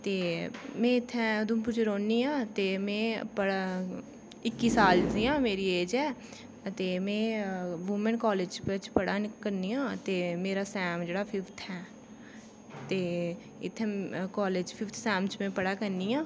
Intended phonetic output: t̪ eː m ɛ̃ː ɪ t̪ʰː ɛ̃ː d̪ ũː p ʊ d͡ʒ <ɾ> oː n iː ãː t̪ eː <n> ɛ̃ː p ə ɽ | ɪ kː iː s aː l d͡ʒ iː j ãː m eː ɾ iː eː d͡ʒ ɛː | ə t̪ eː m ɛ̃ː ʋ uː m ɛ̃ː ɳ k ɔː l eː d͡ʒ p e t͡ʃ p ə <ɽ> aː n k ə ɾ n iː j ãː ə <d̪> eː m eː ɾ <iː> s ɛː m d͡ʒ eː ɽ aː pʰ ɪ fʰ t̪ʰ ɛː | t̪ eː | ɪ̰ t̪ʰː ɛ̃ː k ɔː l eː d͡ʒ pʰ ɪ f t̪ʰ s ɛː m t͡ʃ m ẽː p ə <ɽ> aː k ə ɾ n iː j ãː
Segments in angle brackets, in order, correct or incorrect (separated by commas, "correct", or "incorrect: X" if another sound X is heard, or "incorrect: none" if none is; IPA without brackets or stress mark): correct, incorrect: m, correct, incorrect: t̪, incorrect: aː, correct